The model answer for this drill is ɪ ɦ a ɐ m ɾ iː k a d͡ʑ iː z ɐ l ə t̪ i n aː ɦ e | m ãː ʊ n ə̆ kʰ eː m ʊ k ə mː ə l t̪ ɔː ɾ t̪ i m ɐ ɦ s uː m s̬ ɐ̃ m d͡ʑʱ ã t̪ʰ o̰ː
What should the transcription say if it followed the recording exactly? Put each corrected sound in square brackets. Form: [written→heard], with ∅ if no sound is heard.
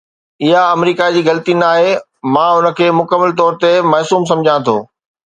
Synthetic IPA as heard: ɪ ɦ a ɐ m ɾ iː k a d͡ʑ iː [z→ɣ] ɐ l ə t̪ i n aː ɦ e | m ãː ʊ n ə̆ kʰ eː m ʊ k ə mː ə l t̪ ɔː ɾ t̪ [i→e] m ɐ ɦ s uː m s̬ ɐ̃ m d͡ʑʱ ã t̪ʰ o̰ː